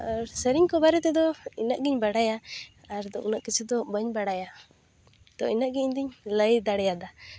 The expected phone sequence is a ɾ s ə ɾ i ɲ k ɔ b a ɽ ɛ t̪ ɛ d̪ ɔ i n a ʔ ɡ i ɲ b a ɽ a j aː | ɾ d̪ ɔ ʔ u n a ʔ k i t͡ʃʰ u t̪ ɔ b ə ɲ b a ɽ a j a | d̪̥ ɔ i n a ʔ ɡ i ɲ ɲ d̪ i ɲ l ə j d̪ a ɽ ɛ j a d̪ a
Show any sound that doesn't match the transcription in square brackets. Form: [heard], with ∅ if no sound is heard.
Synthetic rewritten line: a ɾ s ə ɾ i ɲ k ɔ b a [ɾ] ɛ t̪ ɛ d̪ ɔ i n a ʔ ɡ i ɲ b a ɽ a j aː | ɾ d̪ ɔ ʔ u n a ʔ k i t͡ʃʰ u [d̪] ɔ b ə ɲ b a ɽ a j a | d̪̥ ɔ i n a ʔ ɡ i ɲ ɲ d̪ i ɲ l ə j d̪ a ɽ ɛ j a d̪ a